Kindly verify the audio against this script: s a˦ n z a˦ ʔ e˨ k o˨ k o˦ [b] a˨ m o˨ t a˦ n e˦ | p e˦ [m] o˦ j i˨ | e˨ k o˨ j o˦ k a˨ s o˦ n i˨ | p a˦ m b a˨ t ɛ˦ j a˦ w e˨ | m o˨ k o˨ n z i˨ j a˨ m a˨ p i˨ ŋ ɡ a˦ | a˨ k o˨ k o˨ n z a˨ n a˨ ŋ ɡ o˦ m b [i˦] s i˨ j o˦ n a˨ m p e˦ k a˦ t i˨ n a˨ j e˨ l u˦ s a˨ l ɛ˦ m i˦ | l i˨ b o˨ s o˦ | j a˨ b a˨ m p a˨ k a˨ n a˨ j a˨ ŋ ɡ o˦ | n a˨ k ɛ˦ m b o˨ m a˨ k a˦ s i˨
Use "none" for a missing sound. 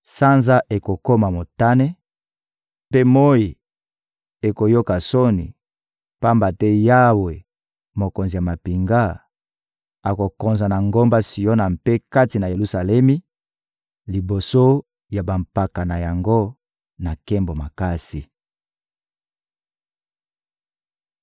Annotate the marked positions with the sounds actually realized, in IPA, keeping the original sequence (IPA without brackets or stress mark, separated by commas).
m, m, a˦